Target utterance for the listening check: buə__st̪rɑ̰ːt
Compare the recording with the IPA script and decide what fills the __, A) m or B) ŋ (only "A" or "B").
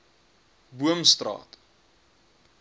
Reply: A